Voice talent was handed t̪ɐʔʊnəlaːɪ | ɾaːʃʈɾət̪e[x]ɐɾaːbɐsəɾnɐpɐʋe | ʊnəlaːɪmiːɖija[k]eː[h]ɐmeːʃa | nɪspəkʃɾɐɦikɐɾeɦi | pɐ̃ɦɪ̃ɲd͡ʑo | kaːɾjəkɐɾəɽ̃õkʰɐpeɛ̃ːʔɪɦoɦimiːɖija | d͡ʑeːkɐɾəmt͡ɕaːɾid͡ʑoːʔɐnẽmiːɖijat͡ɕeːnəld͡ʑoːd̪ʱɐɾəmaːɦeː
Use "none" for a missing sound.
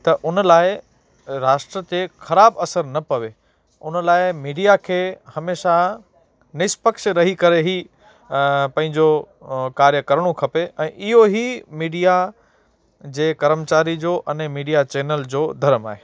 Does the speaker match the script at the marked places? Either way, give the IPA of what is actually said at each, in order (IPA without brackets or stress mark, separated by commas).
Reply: x, kʰ, h